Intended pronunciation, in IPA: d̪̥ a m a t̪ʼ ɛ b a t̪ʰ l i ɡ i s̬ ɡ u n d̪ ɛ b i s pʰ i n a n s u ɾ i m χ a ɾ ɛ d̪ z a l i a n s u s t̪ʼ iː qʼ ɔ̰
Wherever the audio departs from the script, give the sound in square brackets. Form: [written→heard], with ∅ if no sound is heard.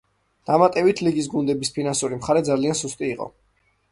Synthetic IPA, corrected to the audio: d̪̥ a m a t̪ʼ ɛ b [a→i] t̪ʰ l i ɡ i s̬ ɡ u n d̪ ɛ b i s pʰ i n a n s u ɾ i m χ a ɾ ɛ d̪ z a l i a n s u s t̪ʼ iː qʼ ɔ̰